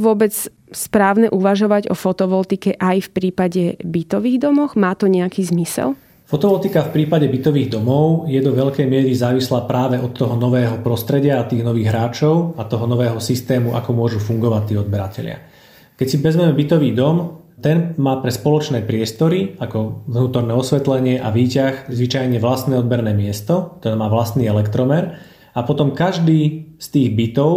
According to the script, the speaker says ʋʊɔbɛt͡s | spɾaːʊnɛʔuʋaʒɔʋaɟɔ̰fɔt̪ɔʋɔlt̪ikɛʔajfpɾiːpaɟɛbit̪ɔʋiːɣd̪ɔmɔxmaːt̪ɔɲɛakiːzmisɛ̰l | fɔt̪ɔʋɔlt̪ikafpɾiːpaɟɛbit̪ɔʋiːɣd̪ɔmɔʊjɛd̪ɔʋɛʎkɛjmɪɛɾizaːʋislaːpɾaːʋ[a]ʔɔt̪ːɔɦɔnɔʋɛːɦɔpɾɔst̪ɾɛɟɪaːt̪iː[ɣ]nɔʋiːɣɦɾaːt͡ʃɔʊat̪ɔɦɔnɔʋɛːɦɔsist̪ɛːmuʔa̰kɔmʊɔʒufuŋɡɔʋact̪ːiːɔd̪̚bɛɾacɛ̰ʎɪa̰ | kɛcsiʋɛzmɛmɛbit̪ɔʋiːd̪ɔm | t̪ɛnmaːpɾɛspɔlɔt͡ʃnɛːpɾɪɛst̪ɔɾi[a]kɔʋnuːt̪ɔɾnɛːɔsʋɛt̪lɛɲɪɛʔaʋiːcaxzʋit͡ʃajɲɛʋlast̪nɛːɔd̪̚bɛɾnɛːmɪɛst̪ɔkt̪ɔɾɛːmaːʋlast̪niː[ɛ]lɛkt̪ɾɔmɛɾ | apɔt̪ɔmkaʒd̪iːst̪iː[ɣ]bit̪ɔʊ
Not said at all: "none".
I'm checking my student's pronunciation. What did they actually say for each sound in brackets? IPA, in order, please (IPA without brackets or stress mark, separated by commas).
ɛ, ɣ, a, ɛ, ɣ